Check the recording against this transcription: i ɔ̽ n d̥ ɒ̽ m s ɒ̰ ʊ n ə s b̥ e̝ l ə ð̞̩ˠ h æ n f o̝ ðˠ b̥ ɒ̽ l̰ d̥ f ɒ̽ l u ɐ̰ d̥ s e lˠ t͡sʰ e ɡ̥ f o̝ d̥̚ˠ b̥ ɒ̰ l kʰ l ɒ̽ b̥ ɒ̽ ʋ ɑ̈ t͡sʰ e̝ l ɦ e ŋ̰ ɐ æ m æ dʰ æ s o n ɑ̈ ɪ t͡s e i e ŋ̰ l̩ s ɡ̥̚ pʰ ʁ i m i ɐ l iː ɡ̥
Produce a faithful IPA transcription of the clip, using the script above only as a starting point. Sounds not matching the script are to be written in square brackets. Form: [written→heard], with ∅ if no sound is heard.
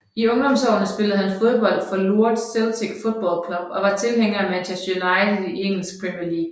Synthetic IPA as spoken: i ɔ̽ [n→ŋ] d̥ ɒ̽ m s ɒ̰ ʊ n ə s b̥ e̝ l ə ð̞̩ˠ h æ n f o̝ ðˠ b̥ ɒ̽ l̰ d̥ f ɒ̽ l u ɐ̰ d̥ s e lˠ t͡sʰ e ɡ̥ f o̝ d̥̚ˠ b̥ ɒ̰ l kʰ l ɒ̽ b̥ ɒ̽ ʋ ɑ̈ t͡sʰ e̝ l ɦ e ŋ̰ ɐ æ m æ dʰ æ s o n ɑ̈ ɪ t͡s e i e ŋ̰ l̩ s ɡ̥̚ pʰ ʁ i m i ɐ l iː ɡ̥